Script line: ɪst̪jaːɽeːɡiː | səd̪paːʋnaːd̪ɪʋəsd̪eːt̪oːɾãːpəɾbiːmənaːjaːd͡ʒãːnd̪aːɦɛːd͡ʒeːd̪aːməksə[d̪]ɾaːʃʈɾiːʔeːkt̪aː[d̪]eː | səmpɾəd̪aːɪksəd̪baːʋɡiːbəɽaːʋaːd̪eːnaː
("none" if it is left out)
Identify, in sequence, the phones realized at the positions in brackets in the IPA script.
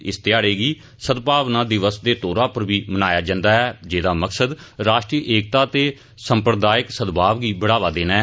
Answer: d̪, t̪

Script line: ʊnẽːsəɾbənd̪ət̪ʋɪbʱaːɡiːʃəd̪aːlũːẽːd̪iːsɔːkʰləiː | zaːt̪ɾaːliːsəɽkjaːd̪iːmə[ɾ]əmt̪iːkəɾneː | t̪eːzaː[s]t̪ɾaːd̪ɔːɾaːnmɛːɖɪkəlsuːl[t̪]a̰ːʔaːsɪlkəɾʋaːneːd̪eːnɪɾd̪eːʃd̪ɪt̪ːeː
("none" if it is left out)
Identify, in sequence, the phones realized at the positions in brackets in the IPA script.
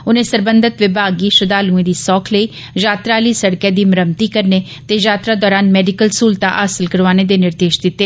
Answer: ɾ, none, t̪

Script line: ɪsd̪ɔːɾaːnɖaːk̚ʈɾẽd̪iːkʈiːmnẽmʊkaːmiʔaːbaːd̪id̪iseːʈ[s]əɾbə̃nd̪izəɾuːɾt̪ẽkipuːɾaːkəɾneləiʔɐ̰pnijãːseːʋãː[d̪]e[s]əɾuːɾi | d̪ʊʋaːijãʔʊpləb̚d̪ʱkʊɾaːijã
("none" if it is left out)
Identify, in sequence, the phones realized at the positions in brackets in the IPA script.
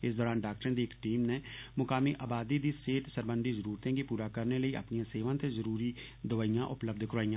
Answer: s, t̪, z

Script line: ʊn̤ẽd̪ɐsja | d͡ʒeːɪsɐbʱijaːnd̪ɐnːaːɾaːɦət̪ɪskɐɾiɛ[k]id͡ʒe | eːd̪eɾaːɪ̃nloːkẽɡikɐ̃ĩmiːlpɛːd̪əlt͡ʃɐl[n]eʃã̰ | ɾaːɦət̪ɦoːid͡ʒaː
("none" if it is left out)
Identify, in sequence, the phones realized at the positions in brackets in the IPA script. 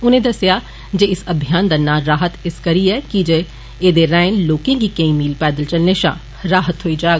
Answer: k, n

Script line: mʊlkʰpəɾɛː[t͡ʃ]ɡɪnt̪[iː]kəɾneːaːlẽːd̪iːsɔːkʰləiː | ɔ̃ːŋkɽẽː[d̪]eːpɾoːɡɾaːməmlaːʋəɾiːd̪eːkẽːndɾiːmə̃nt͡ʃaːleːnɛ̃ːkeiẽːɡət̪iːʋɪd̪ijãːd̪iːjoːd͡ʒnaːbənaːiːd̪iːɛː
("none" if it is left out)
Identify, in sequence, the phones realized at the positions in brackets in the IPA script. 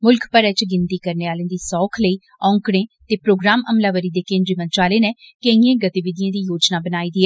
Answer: t͡ʃ, iː, t̪

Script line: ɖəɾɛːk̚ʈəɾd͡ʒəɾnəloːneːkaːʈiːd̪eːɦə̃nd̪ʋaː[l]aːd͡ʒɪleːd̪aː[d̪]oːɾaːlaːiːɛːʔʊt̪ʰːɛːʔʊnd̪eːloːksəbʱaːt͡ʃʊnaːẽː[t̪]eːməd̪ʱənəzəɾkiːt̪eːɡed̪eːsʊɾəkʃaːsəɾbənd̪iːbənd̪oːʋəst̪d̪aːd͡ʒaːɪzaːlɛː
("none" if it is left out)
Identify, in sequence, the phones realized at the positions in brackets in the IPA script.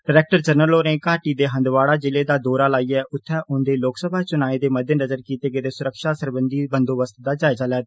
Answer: ɽ, d̪, d̪

